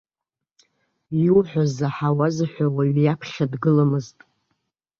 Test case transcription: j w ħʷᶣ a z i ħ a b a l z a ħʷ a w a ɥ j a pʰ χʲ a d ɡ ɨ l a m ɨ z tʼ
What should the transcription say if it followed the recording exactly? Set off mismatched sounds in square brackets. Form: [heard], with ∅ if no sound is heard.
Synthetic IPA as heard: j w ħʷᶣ a z [a] ħ a [w] a [∅] z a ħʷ a w a ɥ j a pʰ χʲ a d ɡ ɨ l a m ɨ z tʼ